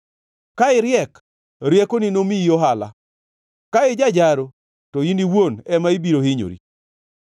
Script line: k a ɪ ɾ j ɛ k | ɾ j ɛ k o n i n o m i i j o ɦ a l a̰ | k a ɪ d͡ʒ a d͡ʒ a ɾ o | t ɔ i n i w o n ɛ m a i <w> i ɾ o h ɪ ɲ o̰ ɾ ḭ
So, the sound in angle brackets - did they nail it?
no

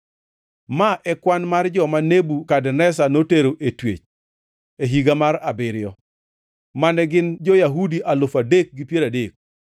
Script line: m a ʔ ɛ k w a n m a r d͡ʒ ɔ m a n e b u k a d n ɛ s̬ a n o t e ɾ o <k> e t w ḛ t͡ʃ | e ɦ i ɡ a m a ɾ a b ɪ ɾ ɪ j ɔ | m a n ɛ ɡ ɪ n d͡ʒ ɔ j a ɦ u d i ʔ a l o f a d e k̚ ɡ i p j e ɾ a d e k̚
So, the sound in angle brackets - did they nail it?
no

